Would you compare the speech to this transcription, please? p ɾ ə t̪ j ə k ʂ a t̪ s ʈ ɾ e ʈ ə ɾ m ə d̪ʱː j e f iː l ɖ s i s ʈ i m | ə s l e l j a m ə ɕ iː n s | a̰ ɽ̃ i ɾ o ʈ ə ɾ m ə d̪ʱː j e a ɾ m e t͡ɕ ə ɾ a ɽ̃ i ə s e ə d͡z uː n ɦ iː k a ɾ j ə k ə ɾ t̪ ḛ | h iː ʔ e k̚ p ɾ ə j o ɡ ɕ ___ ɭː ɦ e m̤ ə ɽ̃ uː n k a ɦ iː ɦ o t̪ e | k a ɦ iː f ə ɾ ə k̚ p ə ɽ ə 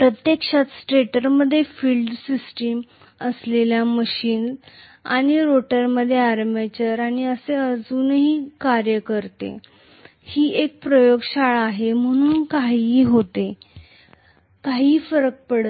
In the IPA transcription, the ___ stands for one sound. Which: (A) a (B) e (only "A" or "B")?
A